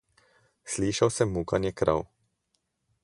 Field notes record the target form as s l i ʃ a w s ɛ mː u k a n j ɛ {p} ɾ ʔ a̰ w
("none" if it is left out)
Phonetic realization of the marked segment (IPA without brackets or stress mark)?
k